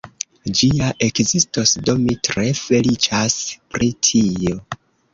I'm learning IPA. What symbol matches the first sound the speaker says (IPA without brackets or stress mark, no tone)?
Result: d͡ʒ